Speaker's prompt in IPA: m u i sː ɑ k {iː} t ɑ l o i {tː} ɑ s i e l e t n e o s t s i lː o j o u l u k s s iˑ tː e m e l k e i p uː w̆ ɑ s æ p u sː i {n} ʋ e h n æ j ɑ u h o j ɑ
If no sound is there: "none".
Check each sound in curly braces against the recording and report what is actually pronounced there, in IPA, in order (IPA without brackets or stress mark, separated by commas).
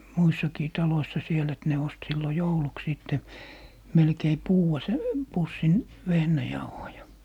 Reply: iː, sː, n